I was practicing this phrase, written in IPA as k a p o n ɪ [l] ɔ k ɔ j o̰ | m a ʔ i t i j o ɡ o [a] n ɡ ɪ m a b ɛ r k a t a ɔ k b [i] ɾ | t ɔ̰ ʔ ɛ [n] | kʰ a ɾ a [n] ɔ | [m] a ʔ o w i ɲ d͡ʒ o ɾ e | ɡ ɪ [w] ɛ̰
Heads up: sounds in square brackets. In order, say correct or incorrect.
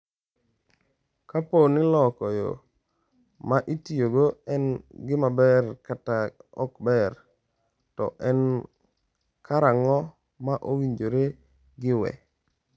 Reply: correct, incorrect, incorrect, correct, incorrect, correct, correct

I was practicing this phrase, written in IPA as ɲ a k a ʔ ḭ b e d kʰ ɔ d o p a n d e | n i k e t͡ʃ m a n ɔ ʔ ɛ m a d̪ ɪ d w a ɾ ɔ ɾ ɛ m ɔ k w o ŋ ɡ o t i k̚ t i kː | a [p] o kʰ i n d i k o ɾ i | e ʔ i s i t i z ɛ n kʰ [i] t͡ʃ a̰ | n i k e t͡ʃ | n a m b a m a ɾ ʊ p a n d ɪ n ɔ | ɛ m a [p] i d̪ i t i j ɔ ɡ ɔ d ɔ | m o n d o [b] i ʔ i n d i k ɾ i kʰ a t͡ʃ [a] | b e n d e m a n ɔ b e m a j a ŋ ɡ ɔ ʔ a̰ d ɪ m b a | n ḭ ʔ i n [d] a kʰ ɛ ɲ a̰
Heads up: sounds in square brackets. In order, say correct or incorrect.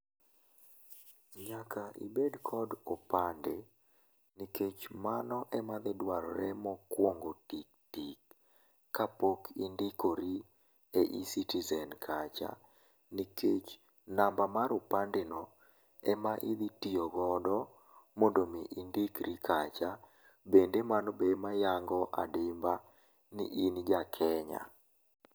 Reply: correct, incorrect, incorrect, incorrect, correct, incorrect

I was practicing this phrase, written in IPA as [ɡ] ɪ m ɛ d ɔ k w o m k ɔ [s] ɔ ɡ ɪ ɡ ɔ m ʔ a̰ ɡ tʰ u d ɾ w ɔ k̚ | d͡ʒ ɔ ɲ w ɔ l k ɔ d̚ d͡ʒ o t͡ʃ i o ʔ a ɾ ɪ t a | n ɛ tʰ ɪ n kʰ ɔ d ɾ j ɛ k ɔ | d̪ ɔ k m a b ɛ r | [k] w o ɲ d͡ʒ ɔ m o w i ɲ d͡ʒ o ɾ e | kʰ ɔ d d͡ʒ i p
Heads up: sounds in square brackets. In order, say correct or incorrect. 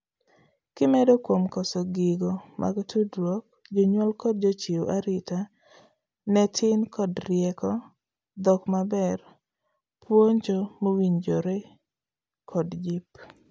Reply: incorrect, correct, incorrect

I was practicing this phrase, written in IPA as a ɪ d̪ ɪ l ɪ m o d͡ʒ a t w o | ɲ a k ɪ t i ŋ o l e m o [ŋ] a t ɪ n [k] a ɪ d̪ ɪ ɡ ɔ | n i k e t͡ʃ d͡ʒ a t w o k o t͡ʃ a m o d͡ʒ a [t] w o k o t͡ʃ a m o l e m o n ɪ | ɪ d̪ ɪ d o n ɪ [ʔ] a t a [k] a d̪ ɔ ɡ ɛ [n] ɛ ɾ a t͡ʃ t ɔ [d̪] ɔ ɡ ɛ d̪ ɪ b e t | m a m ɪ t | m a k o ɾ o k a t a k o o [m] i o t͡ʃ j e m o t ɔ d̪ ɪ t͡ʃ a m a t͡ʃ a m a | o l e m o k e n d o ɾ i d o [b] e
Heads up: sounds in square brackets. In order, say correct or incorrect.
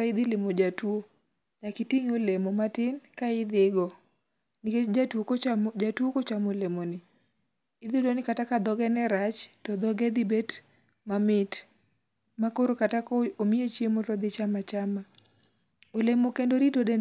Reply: incorrect, correct, correct, incorrect, correct, correct, correct, correct, incorrect

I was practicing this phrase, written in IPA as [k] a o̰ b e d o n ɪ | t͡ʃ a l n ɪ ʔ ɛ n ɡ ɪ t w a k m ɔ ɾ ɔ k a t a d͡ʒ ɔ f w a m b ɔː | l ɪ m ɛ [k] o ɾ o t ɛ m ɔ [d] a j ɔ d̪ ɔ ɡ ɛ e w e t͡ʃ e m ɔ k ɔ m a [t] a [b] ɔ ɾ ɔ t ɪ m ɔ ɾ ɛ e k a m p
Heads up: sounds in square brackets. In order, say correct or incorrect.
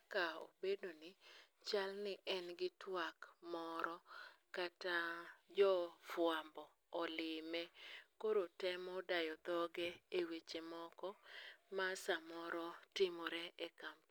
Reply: correct, correct, correct, incorrect, incorrect

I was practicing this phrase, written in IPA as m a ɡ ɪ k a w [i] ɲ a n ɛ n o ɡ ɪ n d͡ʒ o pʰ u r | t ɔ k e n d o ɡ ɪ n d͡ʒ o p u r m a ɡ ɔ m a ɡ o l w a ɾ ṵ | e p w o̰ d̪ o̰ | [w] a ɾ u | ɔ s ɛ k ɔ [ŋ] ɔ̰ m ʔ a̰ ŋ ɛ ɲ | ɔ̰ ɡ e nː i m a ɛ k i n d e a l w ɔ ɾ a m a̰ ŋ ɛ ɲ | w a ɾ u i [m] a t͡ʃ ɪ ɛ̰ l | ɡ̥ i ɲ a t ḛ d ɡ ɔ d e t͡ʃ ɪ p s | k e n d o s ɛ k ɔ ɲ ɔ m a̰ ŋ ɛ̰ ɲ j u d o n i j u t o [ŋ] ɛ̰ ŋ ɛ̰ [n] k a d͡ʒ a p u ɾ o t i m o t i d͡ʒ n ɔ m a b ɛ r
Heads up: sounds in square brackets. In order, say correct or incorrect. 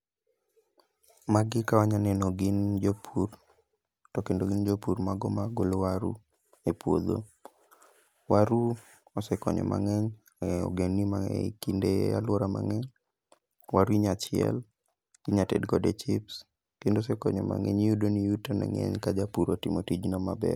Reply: incorrect, correct, incorrect, incorrect, incorrect, incorrect

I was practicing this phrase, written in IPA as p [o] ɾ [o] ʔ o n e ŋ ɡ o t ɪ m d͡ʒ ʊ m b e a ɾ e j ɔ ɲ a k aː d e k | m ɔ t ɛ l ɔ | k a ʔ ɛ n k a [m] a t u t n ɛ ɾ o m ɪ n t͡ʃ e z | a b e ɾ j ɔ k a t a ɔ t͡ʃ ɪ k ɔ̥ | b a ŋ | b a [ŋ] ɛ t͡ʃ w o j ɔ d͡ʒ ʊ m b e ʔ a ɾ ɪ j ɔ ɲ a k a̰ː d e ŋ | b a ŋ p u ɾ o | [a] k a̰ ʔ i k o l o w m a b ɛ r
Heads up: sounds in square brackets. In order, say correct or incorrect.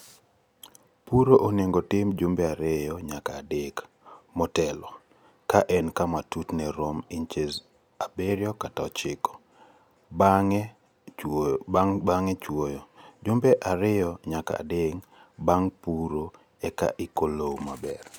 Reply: incorrect, correct, correct, correct, incorrect

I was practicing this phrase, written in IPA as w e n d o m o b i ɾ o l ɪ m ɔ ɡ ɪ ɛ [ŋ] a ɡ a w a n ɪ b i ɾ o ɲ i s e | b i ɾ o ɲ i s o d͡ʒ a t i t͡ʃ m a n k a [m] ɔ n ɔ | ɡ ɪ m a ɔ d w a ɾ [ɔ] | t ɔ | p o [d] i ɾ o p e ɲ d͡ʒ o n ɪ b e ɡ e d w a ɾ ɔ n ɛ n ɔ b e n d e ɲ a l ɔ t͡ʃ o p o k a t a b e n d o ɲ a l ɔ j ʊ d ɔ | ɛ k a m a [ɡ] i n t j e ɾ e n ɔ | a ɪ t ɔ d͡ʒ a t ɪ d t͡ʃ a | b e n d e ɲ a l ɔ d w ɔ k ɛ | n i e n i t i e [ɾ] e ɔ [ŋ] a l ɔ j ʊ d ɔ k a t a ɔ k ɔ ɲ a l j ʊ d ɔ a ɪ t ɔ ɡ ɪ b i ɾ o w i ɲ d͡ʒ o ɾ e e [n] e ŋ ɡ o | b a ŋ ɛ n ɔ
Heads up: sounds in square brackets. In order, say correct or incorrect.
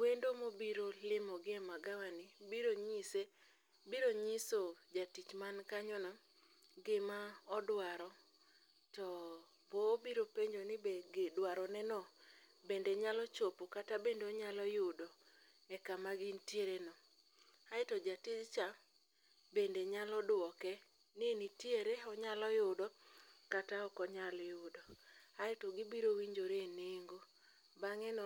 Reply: incorrect, incorrect, correct, incorrect, correct, correct, incorrect, correct

